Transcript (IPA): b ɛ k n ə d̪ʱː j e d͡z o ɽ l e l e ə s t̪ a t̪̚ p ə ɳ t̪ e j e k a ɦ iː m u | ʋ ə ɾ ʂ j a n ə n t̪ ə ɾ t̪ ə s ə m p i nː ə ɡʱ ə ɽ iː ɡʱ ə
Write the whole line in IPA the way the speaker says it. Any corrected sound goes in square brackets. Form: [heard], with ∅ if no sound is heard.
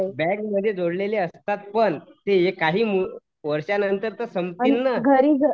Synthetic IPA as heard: b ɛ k [m] ə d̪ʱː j e d͡z o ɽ l e l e ə s t̪ a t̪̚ p ə ɳ t̪ e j e k a ɦ iː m u | ʋ ə ɾ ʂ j a n ə n t̪ ə ɾ t̪ ə s ə m p i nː ə ɡʱ ə [ɾ] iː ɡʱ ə